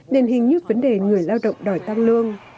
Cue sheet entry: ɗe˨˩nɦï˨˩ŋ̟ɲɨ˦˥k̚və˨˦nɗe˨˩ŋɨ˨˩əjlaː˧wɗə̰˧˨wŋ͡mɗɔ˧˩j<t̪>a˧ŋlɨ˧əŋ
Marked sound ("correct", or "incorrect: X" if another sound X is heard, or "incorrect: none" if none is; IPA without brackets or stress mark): correct